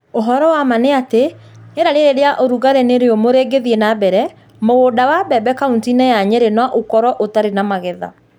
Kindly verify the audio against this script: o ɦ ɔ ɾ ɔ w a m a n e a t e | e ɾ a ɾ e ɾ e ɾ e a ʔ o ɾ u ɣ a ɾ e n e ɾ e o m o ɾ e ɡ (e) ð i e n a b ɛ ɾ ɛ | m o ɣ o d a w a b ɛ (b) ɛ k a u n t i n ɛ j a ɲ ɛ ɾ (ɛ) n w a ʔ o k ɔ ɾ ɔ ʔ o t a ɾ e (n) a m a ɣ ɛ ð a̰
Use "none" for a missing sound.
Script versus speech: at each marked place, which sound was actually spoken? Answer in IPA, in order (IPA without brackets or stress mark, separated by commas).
e, b, e, n